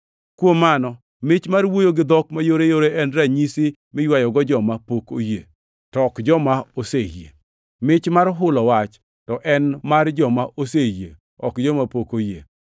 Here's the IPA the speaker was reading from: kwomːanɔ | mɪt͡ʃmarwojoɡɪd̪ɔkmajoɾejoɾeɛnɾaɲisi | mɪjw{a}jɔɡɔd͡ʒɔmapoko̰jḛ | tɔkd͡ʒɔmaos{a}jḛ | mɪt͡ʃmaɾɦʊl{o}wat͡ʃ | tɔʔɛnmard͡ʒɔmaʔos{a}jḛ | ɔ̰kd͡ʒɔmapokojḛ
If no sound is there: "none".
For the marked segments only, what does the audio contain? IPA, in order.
a, e, ɔ, e

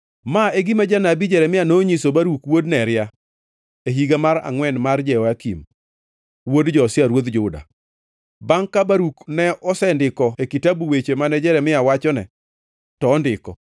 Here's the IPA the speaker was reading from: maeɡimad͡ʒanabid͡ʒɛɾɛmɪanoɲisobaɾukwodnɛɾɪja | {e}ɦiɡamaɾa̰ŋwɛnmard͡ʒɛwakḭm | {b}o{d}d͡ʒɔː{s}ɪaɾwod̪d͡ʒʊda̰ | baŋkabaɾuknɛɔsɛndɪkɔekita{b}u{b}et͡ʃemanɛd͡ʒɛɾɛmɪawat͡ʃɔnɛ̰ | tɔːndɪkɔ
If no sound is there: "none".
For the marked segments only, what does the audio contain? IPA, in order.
e, w, d, s, b, w

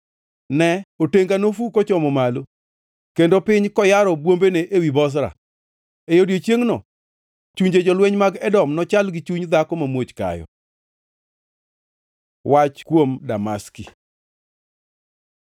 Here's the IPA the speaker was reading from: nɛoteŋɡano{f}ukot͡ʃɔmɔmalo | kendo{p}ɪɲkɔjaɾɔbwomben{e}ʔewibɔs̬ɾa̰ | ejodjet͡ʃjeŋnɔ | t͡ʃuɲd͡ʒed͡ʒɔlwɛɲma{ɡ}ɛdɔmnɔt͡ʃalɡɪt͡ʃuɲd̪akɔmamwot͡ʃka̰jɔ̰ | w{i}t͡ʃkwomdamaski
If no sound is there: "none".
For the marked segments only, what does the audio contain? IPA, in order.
f, p, e, ɡ, a

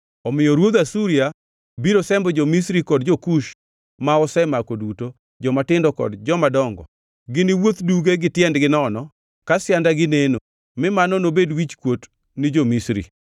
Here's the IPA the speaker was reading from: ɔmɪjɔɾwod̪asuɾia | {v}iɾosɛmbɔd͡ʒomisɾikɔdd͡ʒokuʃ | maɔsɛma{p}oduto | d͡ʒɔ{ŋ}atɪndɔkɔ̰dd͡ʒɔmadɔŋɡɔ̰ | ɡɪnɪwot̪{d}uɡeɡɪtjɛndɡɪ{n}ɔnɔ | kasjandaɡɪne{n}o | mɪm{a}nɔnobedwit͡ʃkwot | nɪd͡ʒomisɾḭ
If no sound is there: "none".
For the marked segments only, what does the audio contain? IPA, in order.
b, k, m, d, n, n, a

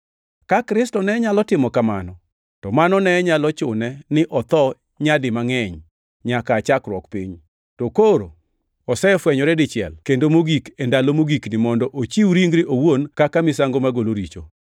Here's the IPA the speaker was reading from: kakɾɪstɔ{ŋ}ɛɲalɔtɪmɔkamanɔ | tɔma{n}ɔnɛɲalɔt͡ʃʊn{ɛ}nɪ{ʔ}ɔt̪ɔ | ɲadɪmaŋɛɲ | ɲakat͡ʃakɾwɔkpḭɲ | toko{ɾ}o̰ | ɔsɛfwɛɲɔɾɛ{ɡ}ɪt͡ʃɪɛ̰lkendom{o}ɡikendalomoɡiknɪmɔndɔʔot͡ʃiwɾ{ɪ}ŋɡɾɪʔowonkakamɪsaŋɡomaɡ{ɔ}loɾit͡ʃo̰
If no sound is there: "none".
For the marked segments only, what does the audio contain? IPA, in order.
n, n, ɛ, ʔ, ɾ, d, o, i, o

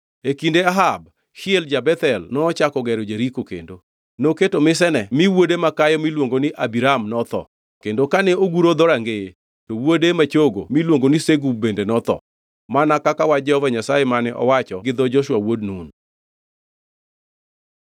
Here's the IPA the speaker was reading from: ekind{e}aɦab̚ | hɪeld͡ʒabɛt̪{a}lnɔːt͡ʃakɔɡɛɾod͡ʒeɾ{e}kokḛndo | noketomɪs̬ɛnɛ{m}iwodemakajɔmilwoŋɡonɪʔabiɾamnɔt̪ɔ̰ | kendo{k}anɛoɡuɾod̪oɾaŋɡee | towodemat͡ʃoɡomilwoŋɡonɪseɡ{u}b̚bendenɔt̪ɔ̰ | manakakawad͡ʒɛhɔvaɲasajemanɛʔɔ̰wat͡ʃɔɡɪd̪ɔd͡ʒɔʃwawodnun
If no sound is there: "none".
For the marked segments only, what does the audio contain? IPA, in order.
e, ɛ, i, m, k, u

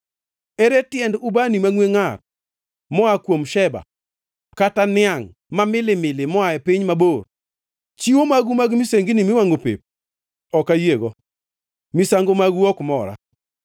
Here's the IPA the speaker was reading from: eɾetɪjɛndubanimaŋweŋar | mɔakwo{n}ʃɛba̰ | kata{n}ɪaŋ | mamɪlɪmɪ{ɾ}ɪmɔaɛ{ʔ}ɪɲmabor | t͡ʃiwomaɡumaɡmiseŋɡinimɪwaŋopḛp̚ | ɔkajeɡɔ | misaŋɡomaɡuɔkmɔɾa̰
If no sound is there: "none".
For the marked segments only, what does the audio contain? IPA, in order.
m, n, l, p

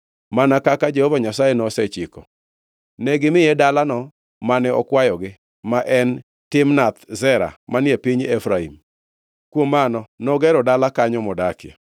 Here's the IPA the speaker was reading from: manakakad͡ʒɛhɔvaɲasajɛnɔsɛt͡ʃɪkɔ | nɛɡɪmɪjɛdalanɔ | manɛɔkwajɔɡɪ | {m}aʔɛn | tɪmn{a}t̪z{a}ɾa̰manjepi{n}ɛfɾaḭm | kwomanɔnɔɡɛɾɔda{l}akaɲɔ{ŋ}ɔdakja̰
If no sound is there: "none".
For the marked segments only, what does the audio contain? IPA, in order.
m, a, ɛ, ɲ, l, m

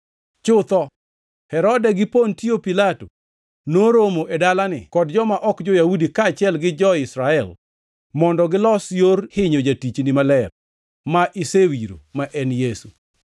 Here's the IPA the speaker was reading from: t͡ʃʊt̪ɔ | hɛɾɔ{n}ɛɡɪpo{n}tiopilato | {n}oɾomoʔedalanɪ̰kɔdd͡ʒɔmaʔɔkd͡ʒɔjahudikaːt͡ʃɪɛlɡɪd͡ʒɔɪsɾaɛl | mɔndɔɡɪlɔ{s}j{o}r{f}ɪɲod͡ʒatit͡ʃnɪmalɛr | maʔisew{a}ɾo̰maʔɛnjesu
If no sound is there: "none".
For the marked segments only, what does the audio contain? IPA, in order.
d, n, n, s, o, h, i

